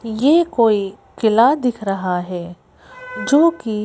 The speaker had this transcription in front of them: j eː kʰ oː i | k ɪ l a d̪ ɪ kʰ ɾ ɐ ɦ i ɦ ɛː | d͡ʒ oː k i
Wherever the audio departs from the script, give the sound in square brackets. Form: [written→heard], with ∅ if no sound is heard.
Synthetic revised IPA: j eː [kʰ→k] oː i | k ɪ l a d̪ ɪ kʰ ɾ ɐ ɦ [i→a] ɦ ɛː | d͡ʒ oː k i